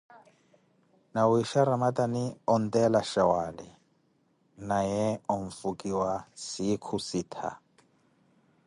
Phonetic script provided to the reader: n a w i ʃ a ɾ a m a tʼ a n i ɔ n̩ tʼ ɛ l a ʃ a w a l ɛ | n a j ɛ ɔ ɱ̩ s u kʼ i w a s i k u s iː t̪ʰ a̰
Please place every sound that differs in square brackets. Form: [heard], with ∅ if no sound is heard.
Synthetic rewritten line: n a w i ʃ a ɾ a m a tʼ a n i ɔ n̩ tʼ ɛ l a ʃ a w a l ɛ | n a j ɛ ɔ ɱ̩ [f] u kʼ i w a s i [kʰ] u s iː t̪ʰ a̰